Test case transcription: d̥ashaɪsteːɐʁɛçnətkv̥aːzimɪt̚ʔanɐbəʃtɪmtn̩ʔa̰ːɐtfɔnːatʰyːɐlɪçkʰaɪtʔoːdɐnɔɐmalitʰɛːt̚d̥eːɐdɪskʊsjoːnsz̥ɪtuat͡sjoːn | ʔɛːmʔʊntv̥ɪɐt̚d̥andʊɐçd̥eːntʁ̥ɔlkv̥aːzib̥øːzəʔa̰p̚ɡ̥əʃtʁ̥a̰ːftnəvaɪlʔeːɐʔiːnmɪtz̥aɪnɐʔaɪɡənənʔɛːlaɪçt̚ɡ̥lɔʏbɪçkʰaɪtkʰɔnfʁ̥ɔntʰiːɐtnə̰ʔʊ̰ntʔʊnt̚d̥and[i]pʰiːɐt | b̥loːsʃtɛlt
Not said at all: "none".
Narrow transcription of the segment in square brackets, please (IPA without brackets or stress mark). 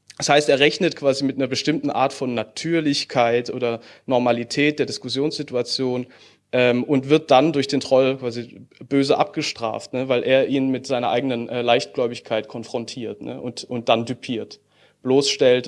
y